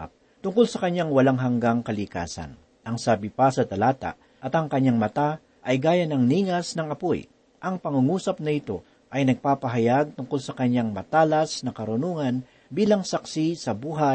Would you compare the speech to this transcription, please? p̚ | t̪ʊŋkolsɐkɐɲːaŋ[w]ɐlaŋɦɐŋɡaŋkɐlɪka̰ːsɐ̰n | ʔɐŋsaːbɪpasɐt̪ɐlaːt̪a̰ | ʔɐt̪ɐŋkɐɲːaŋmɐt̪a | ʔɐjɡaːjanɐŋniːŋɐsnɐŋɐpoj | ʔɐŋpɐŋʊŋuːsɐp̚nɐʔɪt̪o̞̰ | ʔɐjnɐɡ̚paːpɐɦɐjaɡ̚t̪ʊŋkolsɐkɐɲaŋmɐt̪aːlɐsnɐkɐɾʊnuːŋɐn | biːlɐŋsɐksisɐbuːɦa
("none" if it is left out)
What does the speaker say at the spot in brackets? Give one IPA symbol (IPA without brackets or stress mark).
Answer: w